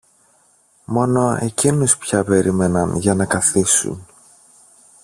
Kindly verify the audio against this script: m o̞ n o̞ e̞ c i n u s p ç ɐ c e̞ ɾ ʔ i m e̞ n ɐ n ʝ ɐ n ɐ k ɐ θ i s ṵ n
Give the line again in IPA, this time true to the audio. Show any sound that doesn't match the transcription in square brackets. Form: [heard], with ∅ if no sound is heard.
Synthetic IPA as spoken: m o̞ n o̞ e̞ c i n u s p ç ɐ [p] e̞ ɾ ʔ i m e̞ n ɐ n ʝ ɐ n ɐ k ɐ θ i s ṵ n